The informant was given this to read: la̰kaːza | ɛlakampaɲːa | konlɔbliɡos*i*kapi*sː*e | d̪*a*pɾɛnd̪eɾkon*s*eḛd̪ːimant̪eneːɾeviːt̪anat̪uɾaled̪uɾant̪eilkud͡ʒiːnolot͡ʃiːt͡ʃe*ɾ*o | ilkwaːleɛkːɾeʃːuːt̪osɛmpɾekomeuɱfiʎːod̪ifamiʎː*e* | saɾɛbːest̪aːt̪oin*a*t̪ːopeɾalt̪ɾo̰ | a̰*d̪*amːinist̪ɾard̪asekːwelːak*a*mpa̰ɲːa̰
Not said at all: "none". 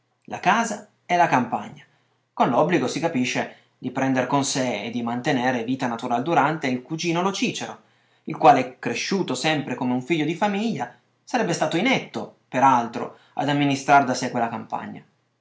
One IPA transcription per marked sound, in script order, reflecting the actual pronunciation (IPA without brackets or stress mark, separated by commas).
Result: i, ʃː, i, s, ɾ, a, ɛ, d̪, a